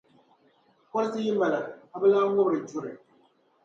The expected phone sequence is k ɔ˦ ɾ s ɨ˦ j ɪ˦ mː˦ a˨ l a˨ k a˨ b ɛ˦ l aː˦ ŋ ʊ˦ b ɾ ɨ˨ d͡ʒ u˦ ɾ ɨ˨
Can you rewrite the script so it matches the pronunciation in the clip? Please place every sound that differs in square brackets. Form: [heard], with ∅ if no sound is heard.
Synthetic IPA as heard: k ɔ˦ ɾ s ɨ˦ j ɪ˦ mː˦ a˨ l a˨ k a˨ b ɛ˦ l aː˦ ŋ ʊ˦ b ɾ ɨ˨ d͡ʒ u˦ ɾ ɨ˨